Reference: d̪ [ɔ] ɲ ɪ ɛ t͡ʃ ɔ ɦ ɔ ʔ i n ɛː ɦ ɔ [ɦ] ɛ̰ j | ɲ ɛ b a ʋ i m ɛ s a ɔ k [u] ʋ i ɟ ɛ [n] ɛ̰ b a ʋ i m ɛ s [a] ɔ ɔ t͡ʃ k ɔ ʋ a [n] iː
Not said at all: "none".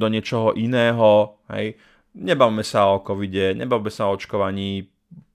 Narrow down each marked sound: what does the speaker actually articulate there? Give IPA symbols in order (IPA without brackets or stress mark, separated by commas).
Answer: ɔ, ɦ, ɔ, ɲ, a, ɲ